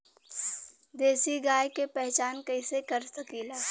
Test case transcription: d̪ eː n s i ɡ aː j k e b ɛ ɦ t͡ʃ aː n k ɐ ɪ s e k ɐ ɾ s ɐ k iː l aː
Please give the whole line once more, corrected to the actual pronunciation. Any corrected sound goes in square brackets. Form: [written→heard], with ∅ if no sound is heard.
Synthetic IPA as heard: d̪ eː [n→∅] s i ɡ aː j k e [b→p] ɛ ɦ t͡ʃ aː n k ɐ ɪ s e k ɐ ɾ s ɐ k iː l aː